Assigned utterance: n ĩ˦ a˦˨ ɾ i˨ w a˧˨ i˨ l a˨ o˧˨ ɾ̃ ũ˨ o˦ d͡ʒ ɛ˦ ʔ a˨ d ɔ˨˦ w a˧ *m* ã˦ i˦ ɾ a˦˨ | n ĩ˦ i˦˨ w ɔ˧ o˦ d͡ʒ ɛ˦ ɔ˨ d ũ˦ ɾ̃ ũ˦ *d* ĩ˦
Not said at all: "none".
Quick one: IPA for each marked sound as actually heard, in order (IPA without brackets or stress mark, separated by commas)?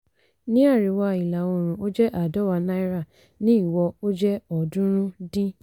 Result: n, d